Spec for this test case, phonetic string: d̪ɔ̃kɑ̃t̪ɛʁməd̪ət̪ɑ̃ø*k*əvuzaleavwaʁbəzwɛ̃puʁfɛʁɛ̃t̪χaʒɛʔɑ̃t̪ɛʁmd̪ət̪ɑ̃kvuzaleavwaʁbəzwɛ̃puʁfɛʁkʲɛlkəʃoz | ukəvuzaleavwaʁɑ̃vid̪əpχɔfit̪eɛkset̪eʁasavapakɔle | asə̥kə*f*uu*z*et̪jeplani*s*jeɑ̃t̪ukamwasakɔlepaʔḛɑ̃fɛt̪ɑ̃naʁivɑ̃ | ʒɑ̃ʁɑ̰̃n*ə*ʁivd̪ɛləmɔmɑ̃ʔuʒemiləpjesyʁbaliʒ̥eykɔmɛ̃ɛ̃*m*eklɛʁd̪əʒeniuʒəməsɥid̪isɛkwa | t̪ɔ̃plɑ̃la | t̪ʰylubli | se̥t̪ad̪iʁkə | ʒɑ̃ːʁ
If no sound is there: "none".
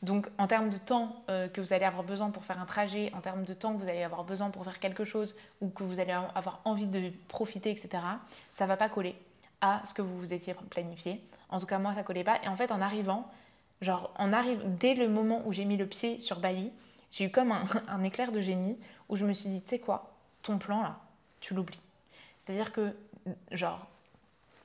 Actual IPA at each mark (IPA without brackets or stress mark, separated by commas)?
k, v, z, f, a, n